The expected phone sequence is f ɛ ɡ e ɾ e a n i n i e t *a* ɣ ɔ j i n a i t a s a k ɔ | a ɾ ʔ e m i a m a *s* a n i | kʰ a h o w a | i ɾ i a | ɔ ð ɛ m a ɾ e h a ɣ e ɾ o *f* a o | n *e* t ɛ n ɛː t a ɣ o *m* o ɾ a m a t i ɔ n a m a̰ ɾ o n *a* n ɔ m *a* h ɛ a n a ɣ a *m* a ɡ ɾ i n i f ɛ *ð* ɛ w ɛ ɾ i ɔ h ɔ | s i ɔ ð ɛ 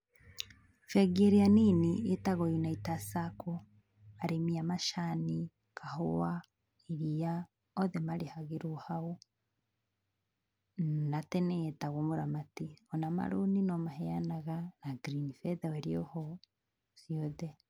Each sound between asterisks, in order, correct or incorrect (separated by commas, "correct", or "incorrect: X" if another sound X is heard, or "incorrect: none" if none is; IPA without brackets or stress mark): correct, incorrect: ʃ, incorrect: h, incorrect: a, correct, incorrect: i, correct, incorrect: n, correct